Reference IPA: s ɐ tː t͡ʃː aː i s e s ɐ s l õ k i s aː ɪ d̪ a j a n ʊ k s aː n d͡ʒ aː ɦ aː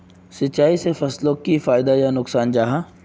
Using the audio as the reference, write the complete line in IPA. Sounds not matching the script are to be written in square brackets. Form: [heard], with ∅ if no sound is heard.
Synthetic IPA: s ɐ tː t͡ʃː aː i s e [f] ɐ s l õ k i [f] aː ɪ d̪ a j a n ʊ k s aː n d͡ʒ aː ɦ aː